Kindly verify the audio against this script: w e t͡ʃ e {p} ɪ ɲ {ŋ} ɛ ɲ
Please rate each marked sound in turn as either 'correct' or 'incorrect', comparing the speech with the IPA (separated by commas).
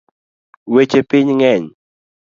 correct, correct